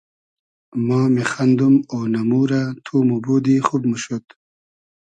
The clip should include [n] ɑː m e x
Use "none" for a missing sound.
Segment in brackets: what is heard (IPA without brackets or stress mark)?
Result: m